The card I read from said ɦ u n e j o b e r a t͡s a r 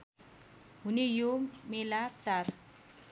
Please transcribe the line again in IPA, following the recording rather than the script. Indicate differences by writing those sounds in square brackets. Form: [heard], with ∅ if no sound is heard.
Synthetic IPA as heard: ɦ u n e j o [m] e [l] a t͡s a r